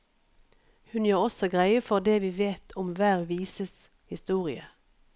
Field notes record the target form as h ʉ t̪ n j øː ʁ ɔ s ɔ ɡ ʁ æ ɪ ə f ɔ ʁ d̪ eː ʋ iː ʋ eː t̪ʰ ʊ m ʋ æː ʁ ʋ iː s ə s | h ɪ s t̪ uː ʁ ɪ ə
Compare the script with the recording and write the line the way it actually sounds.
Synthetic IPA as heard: h ʉ n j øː ʁ ɔ s ɔ ɡ ʁ æ ɪ ə f ɔ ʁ d̪ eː ʋ iː ʋ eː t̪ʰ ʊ m ʋ æː ʁ ʋ iː s ə s | h ɪ s t̪ uː ʁ ɪ ə